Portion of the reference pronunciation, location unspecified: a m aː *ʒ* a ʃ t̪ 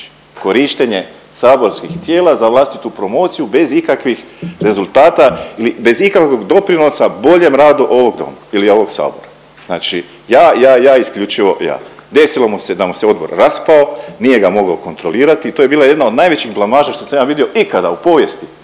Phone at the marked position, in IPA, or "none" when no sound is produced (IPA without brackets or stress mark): ʒ